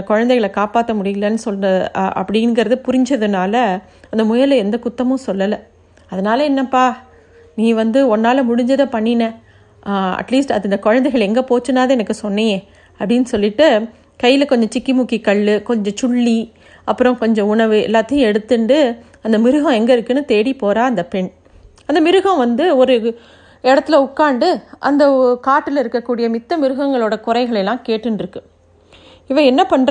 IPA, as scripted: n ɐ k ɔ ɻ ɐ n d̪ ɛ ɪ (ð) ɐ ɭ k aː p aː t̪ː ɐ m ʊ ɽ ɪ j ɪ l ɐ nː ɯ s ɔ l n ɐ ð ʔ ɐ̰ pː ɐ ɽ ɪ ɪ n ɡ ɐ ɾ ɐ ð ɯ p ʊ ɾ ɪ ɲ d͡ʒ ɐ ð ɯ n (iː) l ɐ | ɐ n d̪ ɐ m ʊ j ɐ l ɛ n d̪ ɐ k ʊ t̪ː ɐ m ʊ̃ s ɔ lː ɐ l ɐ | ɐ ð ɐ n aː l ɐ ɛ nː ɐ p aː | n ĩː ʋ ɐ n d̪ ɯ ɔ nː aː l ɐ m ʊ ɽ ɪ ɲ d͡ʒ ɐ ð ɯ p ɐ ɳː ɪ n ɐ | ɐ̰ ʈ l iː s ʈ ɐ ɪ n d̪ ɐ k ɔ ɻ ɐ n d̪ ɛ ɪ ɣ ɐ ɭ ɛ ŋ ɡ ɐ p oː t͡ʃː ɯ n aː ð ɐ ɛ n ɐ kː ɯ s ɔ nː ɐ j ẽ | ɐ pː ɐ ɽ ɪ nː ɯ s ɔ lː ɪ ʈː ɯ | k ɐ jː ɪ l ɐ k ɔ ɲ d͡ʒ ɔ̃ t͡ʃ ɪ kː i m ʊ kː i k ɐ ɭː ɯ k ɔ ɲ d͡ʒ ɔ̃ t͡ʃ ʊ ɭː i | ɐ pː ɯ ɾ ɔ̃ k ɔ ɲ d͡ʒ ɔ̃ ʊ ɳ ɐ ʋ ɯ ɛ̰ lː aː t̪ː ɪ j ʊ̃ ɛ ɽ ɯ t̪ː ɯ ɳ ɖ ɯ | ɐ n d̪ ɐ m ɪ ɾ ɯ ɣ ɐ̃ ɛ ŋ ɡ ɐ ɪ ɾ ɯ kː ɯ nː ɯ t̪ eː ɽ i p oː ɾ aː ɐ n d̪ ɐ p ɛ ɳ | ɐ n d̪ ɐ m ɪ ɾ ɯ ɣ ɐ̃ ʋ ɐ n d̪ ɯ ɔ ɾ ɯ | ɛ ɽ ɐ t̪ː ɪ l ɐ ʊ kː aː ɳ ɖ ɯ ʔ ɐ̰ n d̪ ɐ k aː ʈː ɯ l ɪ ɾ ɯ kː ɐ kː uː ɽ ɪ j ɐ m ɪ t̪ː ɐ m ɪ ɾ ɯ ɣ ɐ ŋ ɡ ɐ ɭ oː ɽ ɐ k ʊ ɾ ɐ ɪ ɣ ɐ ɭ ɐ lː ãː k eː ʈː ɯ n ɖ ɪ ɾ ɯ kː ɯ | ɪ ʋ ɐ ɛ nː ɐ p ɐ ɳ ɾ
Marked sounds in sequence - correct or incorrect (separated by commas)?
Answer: incorrect, incorrect